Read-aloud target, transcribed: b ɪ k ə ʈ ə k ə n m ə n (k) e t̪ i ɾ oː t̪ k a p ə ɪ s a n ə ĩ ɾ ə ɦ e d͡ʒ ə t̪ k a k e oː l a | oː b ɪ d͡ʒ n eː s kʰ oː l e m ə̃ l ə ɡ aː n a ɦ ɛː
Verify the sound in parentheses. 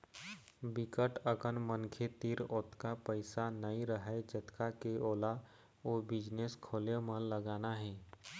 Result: incorrect: kʰ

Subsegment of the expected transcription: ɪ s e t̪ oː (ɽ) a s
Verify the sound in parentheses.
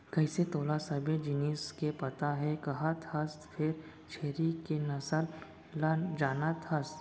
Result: incorrect: l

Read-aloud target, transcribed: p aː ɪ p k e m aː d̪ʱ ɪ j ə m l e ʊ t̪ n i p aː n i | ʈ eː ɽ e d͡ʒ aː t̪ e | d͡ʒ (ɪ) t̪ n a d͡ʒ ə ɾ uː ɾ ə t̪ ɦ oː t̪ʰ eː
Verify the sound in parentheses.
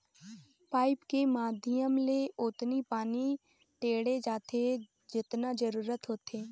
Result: correct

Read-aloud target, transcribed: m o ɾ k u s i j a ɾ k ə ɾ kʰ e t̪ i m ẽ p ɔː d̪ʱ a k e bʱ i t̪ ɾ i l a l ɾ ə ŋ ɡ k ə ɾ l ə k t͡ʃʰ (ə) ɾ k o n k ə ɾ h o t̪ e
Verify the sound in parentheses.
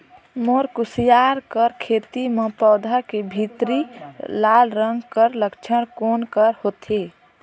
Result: correct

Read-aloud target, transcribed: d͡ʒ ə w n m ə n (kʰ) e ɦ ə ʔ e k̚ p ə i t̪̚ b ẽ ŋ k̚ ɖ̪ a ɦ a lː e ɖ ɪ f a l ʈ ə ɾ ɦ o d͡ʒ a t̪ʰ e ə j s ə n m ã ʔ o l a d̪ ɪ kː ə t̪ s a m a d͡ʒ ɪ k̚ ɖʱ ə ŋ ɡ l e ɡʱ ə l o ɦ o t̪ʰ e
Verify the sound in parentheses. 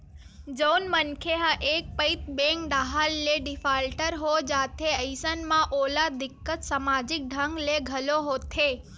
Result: correct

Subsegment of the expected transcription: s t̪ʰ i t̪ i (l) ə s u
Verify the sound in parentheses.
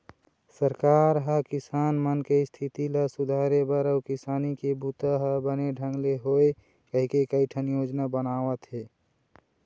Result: correct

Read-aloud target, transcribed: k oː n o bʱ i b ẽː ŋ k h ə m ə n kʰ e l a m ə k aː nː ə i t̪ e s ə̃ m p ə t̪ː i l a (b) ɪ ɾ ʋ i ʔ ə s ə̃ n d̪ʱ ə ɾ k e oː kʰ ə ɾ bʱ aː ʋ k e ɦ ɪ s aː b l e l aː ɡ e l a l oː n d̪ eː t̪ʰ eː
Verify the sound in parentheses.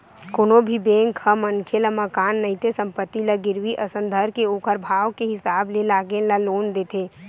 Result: incorrect: ɡ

